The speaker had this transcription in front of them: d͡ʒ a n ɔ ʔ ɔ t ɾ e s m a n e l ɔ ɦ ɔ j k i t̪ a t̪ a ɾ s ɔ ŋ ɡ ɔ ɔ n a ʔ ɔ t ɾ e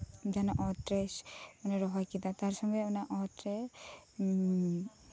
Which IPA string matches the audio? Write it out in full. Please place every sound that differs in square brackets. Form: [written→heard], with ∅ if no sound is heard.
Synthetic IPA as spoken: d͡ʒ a n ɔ ʔ ɔ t ɾ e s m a n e [l→ɾ] ɔ ɦ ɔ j k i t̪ a t̪ a ɾ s ɔ ŋ ɡ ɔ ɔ n a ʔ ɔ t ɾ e